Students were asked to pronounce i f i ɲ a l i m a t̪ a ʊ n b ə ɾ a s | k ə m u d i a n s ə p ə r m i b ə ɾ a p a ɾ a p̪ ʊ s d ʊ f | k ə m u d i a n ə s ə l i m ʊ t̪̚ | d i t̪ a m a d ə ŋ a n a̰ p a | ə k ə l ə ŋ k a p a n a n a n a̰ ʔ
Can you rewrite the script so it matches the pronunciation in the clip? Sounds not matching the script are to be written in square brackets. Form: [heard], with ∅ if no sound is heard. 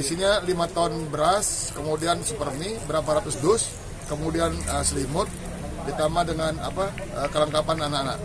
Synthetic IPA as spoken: i [s] i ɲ a l i m a t̪ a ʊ n b ə ɾ a s | k ə m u d i a n s ə p ə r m i b ə ɾ a p a ɾ a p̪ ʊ s d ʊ [s] | k ə m u d i a n ə s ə l i m ʊ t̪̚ | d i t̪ a m a d ə ŋ a n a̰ p a | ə k ə l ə ŋ k a p a n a n a n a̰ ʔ